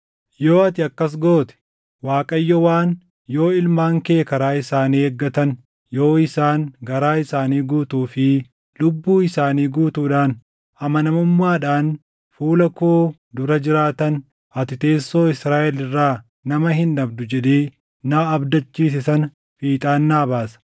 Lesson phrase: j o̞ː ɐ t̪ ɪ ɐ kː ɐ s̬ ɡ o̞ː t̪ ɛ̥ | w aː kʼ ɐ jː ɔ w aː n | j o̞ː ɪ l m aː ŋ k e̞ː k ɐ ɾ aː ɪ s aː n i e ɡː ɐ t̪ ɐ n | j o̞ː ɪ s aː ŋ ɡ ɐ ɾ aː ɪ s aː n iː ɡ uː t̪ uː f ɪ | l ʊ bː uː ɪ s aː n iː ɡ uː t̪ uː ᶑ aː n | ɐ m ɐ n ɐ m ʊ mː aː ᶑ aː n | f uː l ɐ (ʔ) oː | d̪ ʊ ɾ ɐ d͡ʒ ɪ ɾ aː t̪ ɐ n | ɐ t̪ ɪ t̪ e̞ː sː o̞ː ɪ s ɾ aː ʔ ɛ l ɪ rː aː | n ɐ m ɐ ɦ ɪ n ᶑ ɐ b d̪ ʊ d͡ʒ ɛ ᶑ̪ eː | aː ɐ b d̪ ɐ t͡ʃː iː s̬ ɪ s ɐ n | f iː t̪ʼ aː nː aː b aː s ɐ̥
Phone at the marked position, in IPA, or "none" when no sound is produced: k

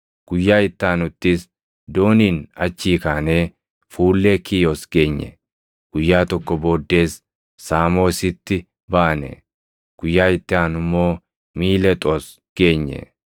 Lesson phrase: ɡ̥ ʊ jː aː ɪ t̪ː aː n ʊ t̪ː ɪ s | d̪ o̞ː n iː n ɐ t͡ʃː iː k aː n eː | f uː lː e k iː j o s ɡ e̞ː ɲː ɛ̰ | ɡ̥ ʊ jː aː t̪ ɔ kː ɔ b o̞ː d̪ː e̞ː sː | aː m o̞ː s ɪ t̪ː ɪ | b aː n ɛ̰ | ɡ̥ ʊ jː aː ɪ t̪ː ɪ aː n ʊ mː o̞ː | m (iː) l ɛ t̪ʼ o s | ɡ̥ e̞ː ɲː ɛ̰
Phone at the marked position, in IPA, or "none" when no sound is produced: iː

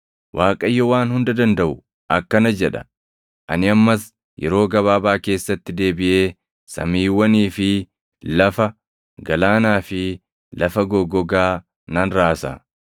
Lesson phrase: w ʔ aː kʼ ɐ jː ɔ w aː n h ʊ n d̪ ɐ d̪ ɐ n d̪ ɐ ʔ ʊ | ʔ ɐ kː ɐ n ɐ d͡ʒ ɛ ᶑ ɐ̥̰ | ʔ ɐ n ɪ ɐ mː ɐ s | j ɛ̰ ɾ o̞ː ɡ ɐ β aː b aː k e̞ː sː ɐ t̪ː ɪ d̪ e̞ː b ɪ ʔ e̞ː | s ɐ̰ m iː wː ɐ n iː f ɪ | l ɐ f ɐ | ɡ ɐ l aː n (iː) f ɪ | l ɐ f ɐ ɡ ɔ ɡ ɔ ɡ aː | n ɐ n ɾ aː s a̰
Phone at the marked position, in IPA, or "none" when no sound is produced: aː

